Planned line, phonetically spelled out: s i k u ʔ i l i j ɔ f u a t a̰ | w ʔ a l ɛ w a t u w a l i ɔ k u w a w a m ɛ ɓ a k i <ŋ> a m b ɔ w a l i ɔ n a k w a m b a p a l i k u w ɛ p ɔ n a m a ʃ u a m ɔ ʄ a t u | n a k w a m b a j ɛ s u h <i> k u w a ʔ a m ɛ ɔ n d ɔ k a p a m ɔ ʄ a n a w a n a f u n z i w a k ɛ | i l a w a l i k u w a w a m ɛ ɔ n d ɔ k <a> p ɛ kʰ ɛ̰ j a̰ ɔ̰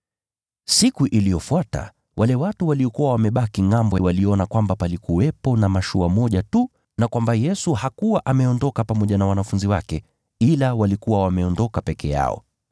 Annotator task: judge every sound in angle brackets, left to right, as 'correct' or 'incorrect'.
correct, incorrect, correct

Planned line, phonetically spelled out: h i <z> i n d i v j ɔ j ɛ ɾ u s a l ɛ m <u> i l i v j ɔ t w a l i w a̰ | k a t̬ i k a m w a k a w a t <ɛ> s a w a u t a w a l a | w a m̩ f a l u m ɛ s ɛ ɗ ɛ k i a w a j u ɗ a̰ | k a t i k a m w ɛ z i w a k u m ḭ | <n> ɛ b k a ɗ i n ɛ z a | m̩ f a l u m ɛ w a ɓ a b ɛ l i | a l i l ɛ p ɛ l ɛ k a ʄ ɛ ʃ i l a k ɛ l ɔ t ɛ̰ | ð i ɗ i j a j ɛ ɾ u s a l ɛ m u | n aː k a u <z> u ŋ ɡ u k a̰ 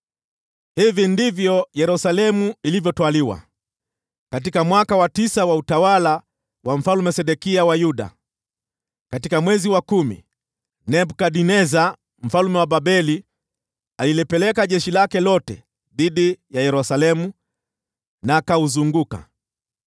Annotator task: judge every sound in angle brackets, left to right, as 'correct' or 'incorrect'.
incorrect, correct, incorrect, correct, correct

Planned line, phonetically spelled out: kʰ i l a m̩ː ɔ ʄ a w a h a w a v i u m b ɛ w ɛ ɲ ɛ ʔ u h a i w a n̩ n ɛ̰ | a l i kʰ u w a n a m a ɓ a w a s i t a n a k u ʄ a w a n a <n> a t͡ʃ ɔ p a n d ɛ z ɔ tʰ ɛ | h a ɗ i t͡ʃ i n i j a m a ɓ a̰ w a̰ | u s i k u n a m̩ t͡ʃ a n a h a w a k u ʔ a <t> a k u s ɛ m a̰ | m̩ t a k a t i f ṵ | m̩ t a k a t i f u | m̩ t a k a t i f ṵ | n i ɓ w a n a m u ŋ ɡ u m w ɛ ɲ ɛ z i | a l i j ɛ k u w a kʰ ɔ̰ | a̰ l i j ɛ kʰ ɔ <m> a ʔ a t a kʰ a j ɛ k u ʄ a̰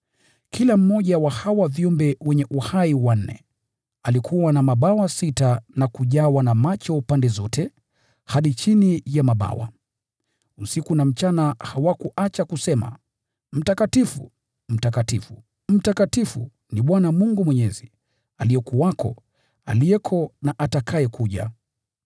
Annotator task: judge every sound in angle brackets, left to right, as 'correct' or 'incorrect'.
incorrect, incorrect, incorrect

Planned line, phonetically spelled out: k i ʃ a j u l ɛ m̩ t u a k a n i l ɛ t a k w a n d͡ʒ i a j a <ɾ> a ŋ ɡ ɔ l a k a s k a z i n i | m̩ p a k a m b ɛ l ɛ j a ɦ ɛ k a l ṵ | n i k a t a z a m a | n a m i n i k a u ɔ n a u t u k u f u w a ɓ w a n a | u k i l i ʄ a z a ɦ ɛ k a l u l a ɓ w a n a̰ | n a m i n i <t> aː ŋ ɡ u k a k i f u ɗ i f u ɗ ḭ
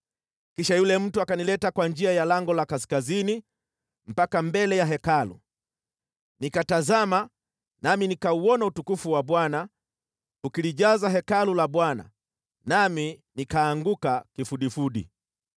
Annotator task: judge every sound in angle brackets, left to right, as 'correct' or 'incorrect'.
incorrect, incorrect

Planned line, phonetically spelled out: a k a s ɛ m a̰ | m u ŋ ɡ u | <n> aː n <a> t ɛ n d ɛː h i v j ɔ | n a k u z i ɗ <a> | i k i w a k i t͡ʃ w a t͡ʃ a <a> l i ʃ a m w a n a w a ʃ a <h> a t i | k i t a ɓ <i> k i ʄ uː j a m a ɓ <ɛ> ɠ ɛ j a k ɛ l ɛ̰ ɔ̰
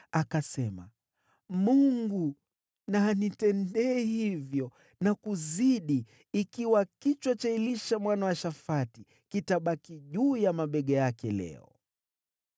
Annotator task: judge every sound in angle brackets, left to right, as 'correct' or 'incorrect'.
correct, incorrect, incorrect, incorrect, incorrect, incorrect, correct

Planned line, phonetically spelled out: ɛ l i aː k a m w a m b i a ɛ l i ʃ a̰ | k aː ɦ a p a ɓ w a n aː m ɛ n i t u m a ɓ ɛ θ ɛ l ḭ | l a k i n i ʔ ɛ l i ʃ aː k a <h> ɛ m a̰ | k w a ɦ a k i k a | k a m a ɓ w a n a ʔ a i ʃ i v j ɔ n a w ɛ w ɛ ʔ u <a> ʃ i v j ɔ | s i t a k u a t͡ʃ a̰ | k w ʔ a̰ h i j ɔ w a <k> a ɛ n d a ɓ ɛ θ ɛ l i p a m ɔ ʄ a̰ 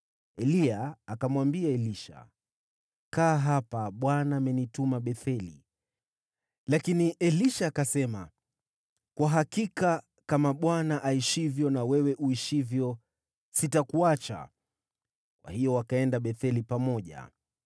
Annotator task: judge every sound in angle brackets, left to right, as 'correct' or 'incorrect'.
incorrect, incorrect, correct

